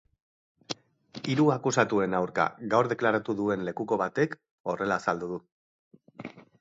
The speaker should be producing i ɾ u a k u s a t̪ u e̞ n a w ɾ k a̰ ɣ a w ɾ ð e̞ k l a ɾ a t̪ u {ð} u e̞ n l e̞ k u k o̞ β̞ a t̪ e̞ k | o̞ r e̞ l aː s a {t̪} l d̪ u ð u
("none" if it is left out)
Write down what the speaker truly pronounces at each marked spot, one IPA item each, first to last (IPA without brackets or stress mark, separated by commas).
ð, none